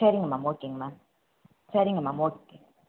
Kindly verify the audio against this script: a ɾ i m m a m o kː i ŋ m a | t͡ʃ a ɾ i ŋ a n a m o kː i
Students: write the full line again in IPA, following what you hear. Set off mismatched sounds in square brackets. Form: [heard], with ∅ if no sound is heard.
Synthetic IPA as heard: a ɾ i [ŋ] m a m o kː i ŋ m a | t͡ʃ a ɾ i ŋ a [m] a m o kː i